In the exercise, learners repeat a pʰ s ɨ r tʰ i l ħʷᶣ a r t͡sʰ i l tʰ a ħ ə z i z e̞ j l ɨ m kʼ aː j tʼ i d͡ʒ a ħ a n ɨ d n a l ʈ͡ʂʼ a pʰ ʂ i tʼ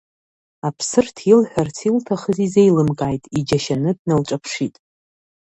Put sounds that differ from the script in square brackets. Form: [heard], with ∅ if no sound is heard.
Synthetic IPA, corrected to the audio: a pʰ s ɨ r tʰ i l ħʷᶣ a r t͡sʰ i l tʰ a [χ] ə z i z e̞ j l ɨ m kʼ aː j tʼ i d͡ʒ a [ʃ] a n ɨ d n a l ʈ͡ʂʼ a pʰ ʂ i tʼ